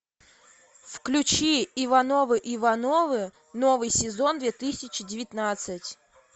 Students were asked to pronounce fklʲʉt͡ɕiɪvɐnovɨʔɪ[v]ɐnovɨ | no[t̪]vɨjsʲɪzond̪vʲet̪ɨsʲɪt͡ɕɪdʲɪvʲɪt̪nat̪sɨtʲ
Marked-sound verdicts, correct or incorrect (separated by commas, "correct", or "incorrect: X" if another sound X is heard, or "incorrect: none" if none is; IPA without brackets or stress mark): correct, incorrect: none